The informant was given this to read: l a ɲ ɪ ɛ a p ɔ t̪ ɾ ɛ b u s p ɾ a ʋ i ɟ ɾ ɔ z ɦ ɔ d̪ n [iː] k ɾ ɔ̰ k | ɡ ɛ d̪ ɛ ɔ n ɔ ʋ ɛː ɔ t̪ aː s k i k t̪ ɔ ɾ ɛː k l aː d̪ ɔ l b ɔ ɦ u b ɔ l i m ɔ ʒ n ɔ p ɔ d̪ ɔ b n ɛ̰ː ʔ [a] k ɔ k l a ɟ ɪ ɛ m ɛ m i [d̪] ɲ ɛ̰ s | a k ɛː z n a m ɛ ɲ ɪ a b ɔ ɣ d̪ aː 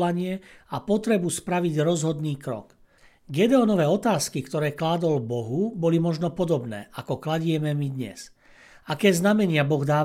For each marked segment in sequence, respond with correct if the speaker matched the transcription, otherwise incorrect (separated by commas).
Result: correct, correct, correct